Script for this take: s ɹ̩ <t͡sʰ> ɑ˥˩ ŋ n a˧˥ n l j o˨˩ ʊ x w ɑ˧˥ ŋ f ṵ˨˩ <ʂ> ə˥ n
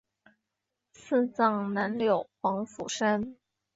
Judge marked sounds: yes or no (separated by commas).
no, yes